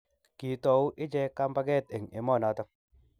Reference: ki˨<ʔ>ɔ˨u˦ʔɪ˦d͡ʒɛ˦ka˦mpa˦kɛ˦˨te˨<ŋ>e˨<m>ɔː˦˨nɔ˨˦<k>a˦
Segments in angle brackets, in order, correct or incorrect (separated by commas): incorrect, correct, correct, incorrect